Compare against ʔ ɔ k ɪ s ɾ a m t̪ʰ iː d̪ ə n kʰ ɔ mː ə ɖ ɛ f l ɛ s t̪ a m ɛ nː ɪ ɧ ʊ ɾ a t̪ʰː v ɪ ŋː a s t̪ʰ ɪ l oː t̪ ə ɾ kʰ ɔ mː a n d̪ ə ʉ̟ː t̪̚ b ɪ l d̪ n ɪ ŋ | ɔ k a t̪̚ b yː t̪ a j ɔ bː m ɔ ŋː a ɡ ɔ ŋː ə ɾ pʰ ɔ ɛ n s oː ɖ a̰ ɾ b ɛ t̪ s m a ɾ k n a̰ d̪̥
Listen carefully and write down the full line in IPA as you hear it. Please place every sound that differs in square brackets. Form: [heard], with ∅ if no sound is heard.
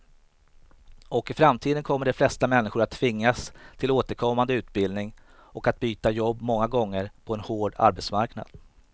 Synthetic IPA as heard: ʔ ɔ k ɪ [f] ɾ a m t̪ʰ iː d̪ ə n kʰ ɔ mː ə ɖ ɛ f l ɛ s t̪ a m ɛ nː ɪ ɧ ʊ ɾ a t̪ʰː v ɪ ŋː a s t̪ʰ ɪ l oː t̪ ə ɾ kʰ ɔ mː a n d̪ ə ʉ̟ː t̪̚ b ɪ l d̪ n ɪ ŋ | ɔ k a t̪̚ b yː t̪ a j ɔ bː m ɔ ŋː a ɡ ɔ ŋː ə ɾ pʰ ɔ ɛ n [h] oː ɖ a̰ ɾ b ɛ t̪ s m a ɾ k n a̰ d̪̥